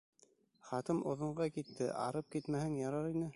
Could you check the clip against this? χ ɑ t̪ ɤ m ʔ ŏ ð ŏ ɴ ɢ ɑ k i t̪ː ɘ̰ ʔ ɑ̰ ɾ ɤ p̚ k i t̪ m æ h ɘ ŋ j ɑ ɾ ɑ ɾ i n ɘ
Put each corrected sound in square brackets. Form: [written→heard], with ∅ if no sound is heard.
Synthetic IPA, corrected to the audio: χ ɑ t̪ ɤ m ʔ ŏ ð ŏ ɴ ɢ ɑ k i t̪ː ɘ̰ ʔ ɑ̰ ɾ ɤ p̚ k i t̪ m æ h ɘ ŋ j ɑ ɾ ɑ ɾ i n ɘ